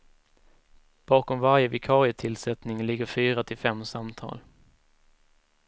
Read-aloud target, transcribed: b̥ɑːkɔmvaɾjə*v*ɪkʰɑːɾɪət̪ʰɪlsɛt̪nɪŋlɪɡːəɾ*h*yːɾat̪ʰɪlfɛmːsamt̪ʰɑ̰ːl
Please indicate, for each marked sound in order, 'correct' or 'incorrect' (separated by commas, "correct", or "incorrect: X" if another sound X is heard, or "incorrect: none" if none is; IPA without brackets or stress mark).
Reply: correct, incorrect: f